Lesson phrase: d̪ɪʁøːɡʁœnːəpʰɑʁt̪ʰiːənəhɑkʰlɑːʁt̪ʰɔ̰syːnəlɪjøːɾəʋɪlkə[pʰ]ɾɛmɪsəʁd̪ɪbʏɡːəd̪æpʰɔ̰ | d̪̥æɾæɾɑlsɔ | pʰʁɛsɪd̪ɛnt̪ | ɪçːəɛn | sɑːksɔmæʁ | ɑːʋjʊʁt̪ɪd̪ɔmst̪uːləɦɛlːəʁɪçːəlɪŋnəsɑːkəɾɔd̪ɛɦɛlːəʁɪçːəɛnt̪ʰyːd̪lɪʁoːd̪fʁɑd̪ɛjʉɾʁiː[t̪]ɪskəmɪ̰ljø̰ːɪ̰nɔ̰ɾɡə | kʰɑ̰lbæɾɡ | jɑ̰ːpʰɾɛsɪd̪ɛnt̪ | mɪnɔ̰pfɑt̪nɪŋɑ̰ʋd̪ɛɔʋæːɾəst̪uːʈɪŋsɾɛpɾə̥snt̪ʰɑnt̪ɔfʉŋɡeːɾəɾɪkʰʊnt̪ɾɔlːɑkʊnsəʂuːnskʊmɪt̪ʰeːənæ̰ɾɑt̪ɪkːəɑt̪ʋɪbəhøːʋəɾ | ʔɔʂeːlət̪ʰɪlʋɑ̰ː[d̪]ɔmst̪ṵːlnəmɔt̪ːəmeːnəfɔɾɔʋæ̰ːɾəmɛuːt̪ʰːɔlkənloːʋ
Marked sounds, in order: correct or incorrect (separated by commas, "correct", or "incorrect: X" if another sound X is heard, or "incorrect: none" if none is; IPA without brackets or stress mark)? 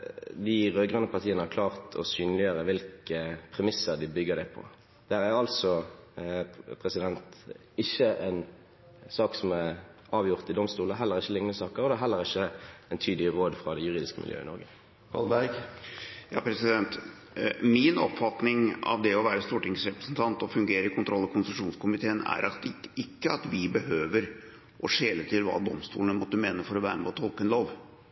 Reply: correct, incorrect: d̪, correct